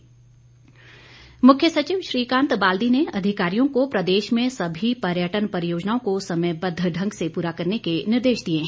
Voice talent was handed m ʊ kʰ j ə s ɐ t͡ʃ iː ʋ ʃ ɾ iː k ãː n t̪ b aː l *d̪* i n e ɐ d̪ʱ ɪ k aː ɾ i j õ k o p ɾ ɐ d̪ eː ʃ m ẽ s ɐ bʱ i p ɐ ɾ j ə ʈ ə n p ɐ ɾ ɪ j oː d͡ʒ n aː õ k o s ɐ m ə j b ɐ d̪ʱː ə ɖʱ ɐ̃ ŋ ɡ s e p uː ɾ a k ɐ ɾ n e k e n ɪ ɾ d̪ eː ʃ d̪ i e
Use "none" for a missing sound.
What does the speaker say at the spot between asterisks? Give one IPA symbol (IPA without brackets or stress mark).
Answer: d̪